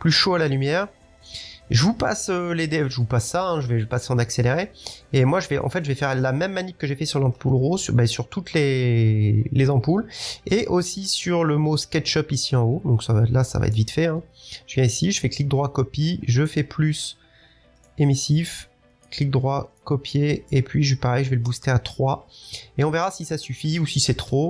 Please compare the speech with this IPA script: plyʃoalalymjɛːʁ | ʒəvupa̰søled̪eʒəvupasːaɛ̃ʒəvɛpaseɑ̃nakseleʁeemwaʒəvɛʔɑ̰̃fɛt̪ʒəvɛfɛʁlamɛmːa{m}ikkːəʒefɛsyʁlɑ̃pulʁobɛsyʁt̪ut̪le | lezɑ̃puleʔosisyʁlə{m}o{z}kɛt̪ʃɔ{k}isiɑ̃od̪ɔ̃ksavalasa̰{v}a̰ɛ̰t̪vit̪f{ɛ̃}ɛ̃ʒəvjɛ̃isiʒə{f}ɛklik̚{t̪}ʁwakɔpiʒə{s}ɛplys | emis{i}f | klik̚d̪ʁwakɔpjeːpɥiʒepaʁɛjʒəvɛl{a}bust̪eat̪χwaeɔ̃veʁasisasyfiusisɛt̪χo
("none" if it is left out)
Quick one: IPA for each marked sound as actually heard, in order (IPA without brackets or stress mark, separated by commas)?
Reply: n, m, s, p, v, ɛ, f, d̪, f, i, ə